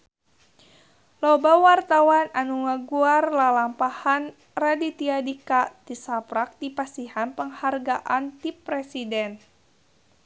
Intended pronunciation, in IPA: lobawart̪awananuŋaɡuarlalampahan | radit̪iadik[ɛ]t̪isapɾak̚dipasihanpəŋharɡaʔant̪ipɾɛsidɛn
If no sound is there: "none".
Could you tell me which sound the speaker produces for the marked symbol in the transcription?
a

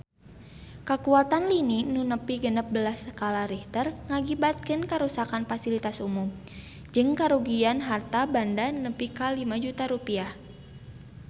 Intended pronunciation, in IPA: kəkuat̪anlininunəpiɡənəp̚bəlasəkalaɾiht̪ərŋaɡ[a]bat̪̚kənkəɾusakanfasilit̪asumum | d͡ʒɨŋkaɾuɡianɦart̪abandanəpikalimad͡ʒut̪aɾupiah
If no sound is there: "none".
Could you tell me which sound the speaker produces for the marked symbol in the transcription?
i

